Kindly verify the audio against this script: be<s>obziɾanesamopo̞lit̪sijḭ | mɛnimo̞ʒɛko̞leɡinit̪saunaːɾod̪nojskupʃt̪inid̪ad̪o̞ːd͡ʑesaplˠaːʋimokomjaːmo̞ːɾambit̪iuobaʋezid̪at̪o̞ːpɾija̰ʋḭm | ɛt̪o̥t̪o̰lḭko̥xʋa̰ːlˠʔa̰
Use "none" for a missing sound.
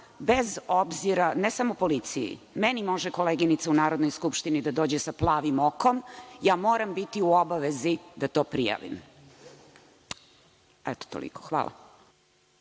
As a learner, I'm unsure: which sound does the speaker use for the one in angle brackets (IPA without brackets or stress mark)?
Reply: z